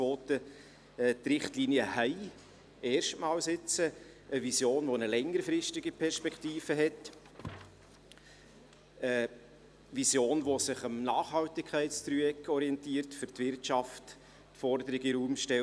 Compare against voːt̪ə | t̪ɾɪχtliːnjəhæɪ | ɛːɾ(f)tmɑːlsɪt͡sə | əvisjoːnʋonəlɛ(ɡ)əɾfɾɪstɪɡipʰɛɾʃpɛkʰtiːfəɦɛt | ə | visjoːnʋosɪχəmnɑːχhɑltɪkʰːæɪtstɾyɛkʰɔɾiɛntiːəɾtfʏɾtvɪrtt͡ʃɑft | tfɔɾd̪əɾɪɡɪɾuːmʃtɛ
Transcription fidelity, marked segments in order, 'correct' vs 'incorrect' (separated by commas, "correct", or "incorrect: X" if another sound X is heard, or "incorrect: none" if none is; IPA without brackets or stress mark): incorrect: ʃ, incorrect: ŋ